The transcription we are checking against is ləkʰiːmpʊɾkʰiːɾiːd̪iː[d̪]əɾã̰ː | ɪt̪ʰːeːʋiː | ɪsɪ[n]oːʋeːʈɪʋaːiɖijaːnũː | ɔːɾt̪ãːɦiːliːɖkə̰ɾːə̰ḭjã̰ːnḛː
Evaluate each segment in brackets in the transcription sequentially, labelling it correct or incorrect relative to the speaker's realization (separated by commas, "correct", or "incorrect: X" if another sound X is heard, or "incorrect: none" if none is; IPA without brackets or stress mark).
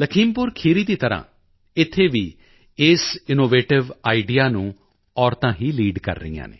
incorrect: t̪, correct